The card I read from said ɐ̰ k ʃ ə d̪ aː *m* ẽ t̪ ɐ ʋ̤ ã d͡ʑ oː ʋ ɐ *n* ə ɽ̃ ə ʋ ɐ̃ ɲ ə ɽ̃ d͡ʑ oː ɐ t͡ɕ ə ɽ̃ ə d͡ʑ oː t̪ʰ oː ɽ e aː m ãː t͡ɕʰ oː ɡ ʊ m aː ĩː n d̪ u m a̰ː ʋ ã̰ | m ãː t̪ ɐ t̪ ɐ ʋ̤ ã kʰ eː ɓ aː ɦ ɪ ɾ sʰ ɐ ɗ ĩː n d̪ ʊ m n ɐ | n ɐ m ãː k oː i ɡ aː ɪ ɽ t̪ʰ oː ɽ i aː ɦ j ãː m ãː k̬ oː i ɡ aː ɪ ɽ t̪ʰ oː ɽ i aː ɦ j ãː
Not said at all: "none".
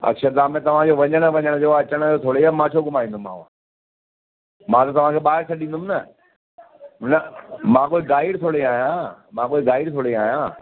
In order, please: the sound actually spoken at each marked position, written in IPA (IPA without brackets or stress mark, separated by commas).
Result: m, ɲ